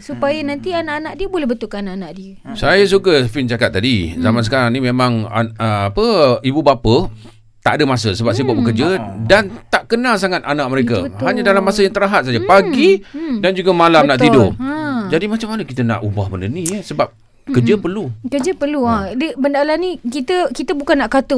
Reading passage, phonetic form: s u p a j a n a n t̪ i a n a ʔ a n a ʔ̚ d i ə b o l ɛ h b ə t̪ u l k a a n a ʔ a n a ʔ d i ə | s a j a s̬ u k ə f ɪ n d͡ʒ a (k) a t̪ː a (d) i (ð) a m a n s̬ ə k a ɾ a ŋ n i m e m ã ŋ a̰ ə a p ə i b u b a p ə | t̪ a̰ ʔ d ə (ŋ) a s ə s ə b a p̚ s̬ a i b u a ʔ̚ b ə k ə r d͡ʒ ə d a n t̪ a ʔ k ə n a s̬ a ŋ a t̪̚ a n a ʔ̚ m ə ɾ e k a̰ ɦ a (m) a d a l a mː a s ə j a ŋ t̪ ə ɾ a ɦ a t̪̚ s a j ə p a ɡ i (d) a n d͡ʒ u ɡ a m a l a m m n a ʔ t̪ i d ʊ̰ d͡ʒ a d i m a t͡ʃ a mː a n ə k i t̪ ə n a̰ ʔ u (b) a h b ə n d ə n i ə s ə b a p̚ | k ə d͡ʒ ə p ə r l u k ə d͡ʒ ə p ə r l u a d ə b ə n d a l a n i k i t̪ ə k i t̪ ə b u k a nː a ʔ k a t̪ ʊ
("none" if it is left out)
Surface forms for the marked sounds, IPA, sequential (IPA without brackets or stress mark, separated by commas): k, d, z, m, ɲ, d, b